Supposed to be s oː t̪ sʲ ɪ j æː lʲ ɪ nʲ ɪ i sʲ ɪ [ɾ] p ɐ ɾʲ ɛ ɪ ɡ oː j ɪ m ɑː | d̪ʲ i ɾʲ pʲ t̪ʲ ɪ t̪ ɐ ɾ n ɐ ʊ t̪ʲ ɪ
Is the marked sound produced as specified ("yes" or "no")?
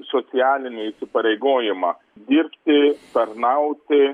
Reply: no